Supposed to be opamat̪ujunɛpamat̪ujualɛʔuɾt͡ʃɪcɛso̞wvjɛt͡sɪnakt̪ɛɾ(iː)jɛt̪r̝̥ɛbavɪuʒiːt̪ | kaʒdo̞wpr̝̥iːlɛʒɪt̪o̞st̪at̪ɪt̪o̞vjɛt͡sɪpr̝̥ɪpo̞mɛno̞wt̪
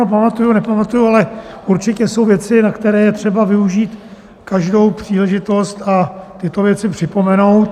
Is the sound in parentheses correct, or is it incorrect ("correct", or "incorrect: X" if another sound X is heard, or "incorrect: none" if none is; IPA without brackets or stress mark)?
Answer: incorrect: ɛː